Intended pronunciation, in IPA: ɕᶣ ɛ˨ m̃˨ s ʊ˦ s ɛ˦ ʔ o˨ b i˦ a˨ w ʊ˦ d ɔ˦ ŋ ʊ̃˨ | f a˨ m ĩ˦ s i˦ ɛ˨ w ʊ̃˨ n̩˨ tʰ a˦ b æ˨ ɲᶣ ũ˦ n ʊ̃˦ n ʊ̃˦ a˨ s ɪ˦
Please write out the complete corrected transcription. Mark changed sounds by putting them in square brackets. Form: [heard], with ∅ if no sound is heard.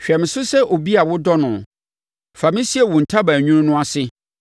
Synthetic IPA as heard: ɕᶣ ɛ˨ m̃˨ s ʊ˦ s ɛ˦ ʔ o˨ b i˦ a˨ w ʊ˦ d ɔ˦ [n] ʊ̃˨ | f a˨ m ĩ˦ s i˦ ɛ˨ w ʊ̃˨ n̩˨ tʰ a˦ b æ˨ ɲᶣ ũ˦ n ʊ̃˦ n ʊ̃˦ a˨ s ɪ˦